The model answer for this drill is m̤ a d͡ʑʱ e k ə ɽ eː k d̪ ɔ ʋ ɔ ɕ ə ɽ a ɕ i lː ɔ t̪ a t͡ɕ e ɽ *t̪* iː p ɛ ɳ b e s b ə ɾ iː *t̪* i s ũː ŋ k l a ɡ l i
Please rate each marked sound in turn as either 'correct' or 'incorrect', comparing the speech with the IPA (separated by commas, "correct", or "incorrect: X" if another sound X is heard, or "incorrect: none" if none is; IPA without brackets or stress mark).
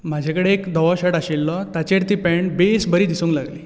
correct, incorrect: d̪